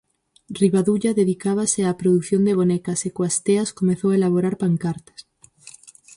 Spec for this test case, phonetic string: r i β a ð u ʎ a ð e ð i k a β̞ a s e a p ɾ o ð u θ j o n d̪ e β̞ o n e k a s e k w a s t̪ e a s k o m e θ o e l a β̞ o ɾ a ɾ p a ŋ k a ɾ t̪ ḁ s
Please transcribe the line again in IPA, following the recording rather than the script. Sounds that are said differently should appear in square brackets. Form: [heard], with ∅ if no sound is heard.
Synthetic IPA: r i β a ð u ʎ a ð e ð i k a β̞ a s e a p ɾ o ð u θ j o n d̪ e β̞ o n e k a s e k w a s t̪ e a s k o m e θ o e l a β̞ o ɾ a ɾ p a ŋ k a ɾ t̪ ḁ s